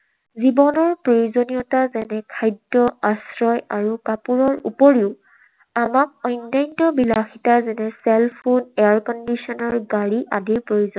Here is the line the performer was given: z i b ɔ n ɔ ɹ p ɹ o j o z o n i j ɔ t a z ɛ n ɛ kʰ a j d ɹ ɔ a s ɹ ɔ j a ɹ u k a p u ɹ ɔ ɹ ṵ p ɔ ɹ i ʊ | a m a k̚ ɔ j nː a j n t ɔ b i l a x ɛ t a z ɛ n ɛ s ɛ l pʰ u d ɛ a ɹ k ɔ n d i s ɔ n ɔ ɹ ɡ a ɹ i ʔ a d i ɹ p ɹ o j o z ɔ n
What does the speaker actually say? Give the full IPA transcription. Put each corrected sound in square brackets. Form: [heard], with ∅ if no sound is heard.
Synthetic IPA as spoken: z i b ɔ n ɔ ɹ p ɹ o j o z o n i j ɔ t a z ɛ n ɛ kʰ a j d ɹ ɔ a s ɹ ɔ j a ɹ u k a p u ɹ ɔ ɹ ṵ p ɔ ɹ i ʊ | a m a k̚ ɔ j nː a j n t ɔ b i l a x [i] t a z ɛ n ɛ s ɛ l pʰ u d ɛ a ɹ k ɔ n d i s ɔ n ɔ ɹ ɡ a ɹ i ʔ a d i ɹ p ɹ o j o z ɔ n